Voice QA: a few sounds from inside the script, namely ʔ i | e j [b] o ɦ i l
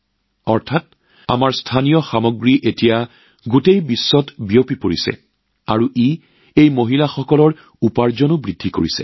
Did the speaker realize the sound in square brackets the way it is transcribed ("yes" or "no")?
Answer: no